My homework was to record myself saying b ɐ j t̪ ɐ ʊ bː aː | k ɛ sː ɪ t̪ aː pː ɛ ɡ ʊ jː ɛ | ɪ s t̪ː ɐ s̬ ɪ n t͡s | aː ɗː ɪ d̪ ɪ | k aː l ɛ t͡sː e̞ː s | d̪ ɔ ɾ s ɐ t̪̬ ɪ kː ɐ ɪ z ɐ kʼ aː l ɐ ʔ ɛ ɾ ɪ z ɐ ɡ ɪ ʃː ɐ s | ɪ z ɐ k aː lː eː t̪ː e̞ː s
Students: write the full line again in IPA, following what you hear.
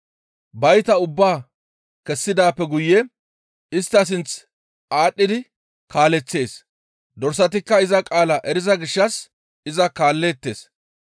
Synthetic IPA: b ɐ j t̪ ɐ ʊ bː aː | k ɛ sː ɪ d̪ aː pː ɛ ɡ ʊ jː ɛ | ɪ s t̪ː ɐ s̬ ɪ n t͡s | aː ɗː ɪ d̪ ɪ | k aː l ɛ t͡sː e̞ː s | d̪ ɔ ɾ s ɐ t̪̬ ɪ kː ɐ ɪ z ɐ kʼ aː l ɐ ʔ ɛ ɾ ɪ z ɐ ɡ ɪ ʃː ɐ s | ɪ z ɐ k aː lː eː t̪ː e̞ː s

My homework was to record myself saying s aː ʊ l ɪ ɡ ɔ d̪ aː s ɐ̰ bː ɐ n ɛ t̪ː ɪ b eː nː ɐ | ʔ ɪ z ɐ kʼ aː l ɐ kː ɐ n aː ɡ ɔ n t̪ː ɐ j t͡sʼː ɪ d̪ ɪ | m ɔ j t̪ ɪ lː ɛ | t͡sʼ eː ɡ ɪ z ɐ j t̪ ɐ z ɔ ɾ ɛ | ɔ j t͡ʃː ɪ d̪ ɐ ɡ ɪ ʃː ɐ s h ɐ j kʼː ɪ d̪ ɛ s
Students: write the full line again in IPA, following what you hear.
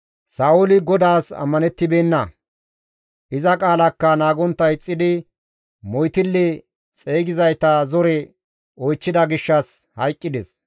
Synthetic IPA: s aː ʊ l ɪ ɡ ɔ d̪ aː s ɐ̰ mː ɐ n ɛ t̪ː ɪ b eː nː ɐ | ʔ ɪ z ɐ kʼ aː l ɐ kː ɐ n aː ɡ ɔ n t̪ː ɐ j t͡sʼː ɪ d̪ ɪ | m ɔ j t̪ ɪ lː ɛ | t͡sʼ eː ɡ ɪ z ɐ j t̪ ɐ z ɔ ɾ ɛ | ɔ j t͡ʃː ɪ d̪ ɐ ɡ ɪ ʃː ɐ s h ɐ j kʼː ɪ d̪ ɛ s

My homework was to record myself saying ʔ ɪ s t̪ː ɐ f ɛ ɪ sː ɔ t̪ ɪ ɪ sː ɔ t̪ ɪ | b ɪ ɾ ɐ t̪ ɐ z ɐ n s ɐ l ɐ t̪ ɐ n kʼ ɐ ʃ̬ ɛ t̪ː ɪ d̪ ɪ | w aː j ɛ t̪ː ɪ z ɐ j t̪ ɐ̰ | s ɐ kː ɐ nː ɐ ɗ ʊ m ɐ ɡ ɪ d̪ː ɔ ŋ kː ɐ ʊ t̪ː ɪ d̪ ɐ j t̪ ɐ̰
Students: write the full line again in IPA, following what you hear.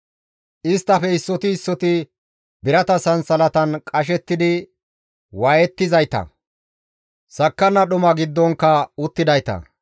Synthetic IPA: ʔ ɪ s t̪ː ɐ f ɛ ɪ sː ɔ t̪ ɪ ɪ sː ɔ t̪ ɪ | b ɪ ɾ ɐ t̪ ɐ s ɐ n s ɐ l ɐ t̪ ɐ n kʼ ɐ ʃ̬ ɛ t̪ː ɪ d̪ ɪ | w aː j ɛ t̪ː ɪ z ɐ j t̪ ɐ̰ | s ɐ kː ɐ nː ɐ ɗ ʊ m ɐ ɡ ɪ d̪ː ɔ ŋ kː ɐ ʊ t̪ː ɪ d̪ ɐ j t̪ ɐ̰

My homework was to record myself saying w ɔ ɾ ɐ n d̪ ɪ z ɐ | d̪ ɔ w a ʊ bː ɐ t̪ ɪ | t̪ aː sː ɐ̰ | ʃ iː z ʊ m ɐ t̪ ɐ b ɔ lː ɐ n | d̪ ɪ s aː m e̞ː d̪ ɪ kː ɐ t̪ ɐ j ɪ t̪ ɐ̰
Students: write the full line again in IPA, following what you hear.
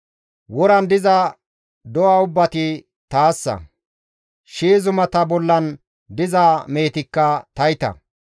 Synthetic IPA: w ɔ ɾ ɐ n d̪ ɪ z ɐ | d̪ ɔ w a ʊ bː ɐ t̪ ɪ | t̪ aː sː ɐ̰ | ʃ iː z ʊ m ɐ t̪ ɐ b ɔ lː ɐ n | d̪ ɪ z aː m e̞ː t̪ ɪ kː ɐ t̪ ɐ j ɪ t̪ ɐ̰

